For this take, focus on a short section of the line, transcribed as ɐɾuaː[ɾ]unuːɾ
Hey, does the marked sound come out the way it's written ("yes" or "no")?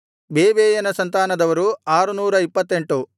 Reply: yes